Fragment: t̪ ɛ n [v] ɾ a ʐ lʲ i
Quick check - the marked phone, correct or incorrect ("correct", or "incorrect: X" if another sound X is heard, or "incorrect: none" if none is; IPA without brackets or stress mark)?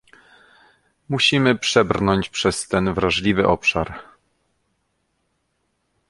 correct